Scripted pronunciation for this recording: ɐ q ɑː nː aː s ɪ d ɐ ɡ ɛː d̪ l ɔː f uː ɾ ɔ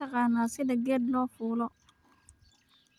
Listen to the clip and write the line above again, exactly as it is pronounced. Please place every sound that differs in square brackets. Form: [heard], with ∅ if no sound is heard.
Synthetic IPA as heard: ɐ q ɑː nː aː s ɪ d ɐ ɡ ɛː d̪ l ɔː f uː [l] ɔ